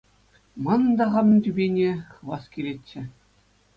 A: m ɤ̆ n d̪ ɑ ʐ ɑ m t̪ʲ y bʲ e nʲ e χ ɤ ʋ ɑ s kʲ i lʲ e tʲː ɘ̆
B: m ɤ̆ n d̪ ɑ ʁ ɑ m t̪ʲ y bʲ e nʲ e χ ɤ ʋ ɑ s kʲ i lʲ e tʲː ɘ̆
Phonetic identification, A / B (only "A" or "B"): B